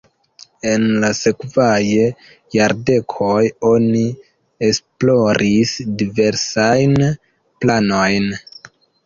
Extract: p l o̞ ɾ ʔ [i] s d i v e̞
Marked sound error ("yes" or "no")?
no